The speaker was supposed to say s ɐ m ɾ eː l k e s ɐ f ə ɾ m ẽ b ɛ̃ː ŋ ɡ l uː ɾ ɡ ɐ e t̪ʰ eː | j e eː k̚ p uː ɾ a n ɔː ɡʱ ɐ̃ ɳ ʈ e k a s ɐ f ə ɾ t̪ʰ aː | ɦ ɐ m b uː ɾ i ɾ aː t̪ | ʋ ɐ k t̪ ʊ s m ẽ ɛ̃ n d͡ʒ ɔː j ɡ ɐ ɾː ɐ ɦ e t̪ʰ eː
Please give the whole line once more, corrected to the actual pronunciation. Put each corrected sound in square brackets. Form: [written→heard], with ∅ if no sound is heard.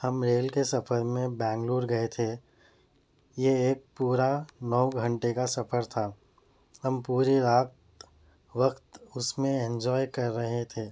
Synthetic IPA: [s→h] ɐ m ɾ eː l k e s ɐ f ə ɾ m ẽ b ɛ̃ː ŋ ɡ l uː ɾ ɡ ɐ e t̪ʰ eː | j e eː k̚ p uː ɾ a n ɔː ɡʱ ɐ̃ ɳ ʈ e k a s ɐ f ə ɾ t̪ʰ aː | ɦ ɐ m [b→p] uː ɾ i ɾ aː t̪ | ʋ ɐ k t̪ ʊ s m ẽ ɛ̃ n d͡ʒ ɔː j [ɡ→k] ɐ ɾː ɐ ɦ e t̪ʰ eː